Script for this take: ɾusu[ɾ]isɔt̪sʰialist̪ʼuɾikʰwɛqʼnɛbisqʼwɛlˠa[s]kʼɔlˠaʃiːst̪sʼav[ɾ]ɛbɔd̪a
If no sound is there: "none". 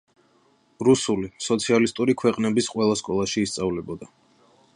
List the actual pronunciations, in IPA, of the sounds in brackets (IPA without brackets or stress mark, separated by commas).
l, s, l